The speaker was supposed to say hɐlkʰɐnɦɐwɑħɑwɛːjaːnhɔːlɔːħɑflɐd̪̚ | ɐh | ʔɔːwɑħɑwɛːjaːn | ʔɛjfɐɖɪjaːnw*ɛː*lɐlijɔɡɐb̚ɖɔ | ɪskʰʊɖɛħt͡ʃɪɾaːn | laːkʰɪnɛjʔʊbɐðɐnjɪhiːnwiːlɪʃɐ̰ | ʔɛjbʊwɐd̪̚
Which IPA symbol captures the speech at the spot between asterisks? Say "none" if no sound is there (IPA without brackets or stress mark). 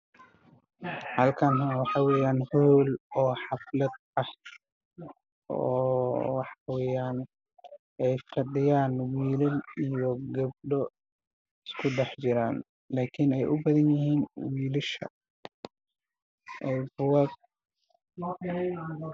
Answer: iː